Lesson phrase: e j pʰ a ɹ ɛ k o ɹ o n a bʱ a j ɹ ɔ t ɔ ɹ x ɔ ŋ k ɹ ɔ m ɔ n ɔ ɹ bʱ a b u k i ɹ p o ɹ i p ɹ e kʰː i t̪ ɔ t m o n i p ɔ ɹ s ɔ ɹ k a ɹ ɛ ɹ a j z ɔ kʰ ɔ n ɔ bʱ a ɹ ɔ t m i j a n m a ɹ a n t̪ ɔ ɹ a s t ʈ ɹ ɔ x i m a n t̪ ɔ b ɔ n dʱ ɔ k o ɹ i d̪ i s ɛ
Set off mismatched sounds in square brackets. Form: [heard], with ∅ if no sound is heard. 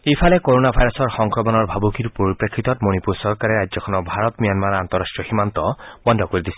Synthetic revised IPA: e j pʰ a [l] ɛ k o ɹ o n a bʱ a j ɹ ɔ [s] ɔ ɹ x ɔ ŋ k ɹ ɔ m ɔ n ɔ ɹ bʱ a b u k i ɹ p o ɹ i p ɹ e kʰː i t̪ ɔ t m o n i p [u] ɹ s ɔ ɹ k a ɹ ɛ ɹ a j z ɔ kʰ ɔ n ɔ bʱ a ɹ ɔ t m i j a n m a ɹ a n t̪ ɔ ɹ a s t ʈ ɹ ɔ x i m a n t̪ ɔ b ɔ n dʱ ɔ k o ɹ i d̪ i s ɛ